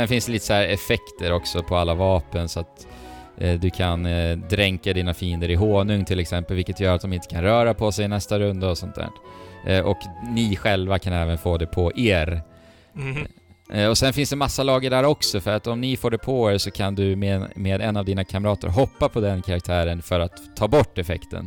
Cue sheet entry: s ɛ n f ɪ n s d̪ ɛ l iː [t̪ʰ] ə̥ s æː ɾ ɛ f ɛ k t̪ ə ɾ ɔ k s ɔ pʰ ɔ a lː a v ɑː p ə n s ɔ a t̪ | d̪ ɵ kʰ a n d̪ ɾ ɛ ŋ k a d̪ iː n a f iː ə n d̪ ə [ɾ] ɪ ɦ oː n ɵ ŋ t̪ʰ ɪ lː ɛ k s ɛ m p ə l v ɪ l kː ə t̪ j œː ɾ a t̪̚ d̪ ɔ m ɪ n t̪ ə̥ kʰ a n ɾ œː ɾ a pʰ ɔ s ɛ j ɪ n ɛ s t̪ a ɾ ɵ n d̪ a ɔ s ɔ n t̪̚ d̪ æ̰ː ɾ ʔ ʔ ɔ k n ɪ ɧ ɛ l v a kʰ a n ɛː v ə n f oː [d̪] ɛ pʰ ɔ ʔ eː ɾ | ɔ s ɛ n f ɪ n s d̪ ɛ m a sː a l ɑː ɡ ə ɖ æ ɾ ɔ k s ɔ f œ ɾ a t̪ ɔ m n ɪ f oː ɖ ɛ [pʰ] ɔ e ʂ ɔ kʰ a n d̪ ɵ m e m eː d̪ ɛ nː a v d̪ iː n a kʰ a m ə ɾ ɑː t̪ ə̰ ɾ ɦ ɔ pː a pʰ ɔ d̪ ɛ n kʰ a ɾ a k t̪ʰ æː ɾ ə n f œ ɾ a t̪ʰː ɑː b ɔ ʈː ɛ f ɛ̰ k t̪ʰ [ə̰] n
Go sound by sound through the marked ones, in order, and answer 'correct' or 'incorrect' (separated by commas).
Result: incorrect, correct, correct, correct, correct